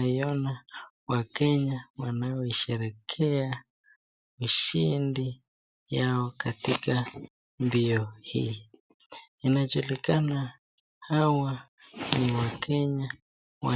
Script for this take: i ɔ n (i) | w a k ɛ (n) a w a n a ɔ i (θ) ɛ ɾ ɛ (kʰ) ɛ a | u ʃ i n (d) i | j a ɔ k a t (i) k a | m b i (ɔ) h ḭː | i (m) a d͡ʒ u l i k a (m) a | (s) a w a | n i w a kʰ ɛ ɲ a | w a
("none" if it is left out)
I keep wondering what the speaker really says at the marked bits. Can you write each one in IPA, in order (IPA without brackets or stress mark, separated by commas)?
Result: a, ɲ, ʃ, kʰ, d, i, ɔ, n, n, h